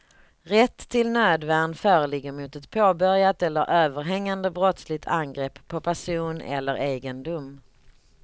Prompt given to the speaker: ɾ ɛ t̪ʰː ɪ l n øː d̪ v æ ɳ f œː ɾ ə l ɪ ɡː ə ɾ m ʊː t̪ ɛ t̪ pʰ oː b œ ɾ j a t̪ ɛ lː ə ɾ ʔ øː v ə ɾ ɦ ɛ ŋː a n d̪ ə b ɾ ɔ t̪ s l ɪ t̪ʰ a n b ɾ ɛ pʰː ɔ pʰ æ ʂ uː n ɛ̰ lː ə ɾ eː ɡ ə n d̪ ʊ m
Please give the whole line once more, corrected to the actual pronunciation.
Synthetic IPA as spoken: ɾ ɛ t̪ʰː ɪ l n øː d̪ v æ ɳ f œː ɾ ə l ɪ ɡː ə ɾ m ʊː t̪ ɛ t̪ pʰ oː b œ ɾ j a t̪ ɛ lː ə ɾ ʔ øː v ə ɾ ɦ ɛ ŋː a n d̪ ə b ɾ ɔ t̪ s l ɪ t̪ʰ a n ɡ ɾ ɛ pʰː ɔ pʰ æ ʂ uː n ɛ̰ lː ə ɾ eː ɡ ə n d̪ ʊ m